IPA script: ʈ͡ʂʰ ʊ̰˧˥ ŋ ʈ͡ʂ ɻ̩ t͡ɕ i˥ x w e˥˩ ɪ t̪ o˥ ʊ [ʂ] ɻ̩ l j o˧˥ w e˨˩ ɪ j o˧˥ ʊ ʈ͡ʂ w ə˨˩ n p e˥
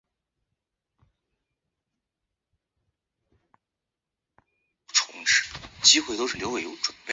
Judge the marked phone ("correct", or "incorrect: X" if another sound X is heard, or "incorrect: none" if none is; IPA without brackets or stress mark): correct